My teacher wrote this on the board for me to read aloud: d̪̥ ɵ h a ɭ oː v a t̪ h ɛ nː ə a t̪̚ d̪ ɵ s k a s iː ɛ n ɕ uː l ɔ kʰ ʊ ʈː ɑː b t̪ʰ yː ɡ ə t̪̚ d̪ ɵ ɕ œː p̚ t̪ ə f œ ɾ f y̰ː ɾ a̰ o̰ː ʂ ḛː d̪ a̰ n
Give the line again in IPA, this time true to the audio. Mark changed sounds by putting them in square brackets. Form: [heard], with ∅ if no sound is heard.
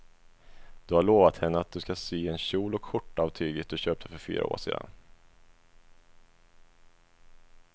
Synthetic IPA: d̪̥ ɵ h a ɭ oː v a t̪ h ɛ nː ə a t̪̚ d̪ ɵ s k a s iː ɛ n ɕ uː l ɔ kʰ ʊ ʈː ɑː [v] t̪ʰ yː ɡ ə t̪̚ d̪ ɵ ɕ [øː] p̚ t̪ ə f œ ɾ f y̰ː ɾ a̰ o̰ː ʂ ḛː d̪ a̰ n